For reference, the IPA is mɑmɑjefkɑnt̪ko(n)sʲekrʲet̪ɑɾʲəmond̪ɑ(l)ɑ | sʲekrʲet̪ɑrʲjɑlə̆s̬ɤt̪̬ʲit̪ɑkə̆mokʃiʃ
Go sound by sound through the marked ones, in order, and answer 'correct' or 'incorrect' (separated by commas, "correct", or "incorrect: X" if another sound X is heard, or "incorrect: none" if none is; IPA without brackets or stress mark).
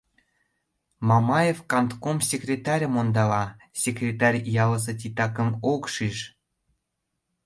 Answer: incorrect: m, correct